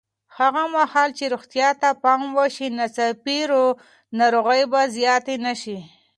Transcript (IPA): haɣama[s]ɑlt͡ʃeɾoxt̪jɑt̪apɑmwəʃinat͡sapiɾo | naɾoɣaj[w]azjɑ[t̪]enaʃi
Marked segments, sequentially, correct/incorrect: incorrect, incorrect, correct

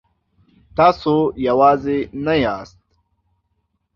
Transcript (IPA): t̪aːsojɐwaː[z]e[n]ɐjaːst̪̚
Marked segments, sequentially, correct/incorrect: correct, correct

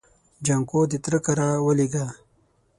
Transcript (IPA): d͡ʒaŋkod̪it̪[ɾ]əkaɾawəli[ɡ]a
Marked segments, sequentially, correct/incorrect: correct, correct

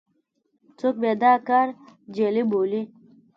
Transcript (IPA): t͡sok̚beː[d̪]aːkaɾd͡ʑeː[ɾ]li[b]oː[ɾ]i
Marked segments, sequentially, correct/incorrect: correct, incorrect, correct, incorrect

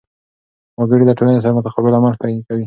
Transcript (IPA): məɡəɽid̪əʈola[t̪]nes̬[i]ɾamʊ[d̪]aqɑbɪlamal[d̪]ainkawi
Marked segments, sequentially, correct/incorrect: incorrect, incorrect, incorrect, incorrect

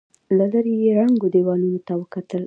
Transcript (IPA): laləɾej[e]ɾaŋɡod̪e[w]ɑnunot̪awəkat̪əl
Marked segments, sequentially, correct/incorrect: correct, correct

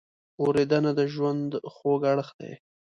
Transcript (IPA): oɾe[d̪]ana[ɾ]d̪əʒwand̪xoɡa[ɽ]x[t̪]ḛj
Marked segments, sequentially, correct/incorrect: correct, incorrect, correct, incorrect

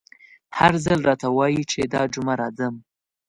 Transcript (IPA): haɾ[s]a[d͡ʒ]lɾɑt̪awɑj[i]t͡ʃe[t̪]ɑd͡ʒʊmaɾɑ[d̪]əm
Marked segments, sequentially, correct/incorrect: incorrect, incorrect, correct, incorrect, correct

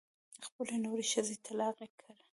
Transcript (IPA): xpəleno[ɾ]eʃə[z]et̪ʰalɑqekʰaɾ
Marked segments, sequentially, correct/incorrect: correct, correct

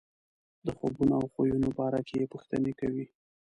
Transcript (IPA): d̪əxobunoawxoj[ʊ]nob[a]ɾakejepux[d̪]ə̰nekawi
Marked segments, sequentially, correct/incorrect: incorrect, incorrect, incorrect

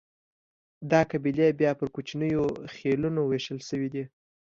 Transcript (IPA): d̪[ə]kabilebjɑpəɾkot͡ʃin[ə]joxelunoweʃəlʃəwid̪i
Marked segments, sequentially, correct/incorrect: incorrect, correct

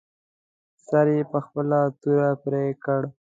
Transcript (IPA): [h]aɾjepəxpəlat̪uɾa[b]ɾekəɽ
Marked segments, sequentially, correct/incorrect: incorrect, incorrect

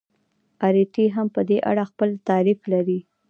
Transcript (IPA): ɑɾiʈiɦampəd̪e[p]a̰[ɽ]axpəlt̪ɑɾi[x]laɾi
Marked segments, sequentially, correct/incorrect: incorrect, correct, incorrect

